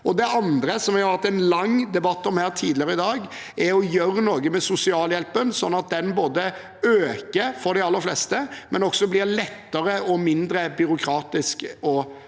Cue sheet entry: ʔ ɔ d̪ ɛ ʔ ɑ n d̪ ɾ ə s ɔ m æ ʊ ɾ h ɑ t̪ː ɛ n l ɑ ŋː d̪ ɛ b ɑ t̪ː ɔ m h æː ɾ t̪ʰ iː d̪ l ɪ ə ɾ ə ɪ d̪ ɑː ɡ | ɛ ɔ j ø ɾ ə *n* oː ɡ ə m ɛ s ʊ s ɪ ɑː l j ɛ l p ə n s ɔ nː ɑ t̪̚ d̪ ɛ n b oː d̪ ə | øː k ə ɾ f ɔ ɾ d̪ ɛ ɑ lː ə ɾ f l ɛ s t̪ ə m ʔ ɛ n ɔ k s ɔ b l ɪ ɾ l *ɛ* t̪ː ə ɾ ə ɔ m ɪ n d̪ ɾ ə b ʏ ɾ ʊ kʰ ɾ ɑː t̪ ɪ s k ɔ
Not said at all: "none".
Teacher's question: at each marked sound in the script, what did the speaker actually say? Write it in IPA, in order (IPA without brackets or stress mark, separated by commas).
n, ɛ